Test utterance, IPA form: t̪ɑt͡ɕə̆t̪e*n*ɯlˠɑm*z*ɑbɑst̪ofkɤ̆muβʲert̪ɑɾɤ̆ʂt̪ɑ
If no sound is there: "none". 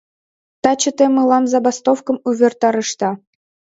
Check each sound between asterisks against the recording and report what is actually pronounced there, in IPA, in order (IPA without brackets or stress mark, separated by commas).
m, z